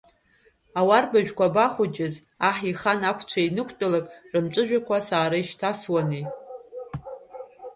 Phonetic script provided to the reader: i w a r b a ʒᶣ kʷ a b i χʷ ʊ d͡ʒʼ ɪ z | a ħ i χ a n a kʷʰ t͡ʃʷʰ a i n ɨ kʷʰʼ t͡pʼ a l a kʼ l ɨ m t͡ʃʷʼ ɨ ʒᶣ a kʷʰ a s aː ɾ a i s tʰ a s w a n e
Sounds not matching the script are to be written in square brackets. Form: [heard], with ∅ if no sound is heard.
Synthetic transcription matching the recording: [a] w a r b a ʒᶣ kʷ a b [a] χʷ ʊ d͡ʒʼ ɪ z | a ħ i χ a n a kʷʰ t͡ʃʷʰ a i n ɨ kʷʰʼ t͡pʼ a l a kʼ [r] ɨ m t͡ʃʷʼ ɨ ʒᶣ a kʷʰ a s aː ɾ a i [ʃ] tʰ a s w a n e